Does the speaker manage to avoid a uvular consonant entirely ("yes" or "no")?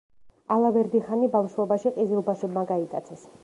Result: no